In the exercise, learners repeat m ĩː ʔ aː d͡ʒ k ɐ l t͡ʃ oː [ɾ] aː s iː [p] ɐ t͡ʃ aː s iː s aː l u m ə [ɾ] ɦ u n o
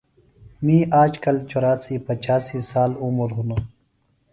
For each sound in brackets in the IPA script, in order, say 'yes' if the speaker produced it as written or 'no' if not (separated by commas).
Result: yes, yes, yes